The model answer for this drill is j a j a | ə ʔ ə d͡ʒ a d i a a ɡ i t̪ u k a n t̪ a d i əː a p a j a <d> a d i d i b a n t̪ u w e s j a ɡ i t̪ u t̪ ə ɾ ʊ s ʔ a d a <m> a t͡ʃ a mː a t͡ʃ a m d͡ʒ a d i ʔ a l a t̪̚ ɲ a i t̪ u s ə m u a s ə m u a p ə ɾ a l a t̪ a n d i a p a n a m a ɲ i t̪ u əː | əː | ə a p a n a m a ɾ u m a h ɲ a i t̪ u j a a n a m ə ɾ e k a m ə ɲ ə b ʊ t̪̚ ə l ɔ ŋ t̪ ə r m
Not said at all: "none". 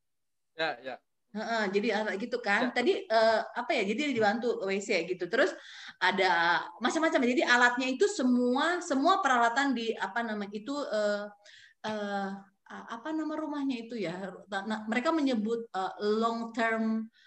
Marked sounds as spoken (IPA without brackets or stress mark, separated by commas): d͡ʒ, m